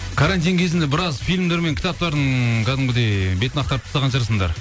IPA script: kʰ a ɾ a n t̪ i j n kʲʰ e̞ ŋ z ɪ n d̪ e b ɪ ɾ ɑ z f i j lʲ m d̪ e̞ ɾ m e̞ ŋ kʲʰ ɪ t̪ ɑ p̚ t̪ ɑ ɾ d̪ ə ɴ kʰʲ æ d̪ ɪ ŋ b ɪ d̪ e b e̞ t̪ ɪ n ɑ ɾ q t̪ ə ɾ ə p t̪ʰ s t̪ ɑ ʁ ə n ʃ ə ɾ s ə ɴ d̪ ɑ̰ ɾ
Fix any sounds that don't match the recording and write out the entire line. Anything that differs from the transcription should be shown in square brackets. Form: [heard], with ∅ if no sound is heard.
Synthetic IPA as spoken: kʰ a ɾ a n t̪ i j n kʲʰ e̞ [∅] z ɪ n d̪ e b ɪ ɾ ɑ z f i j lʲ m d̪ e̞ ɾ m e̞ ŋ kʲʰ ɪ t̪ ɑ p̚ t̪ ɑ ɾ d̪ ə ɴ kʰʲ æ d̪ ɪ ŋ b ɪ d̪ e b e̞ t̪ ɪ n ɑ [∅] q t̪ [ɑ] ɾ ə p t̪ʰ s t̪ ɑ ʁ [ɑ] n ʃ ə ɾ s ə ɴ d̪ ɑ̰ ɾ